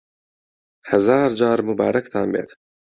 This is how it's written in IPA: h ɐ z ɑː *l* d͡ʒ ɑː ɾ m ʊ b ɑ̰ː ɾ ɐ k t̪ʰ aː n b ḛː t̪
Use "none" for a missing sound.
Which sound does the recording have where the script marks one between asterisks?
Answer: ɾ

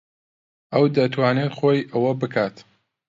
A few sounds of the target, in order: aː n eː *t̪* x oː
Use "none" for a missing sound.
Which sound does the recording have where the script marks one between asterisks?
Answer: t̪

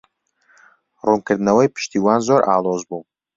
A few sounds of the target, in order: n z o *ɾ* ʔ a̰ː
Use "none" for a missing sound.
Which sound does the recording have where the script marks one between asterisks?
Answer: ɾ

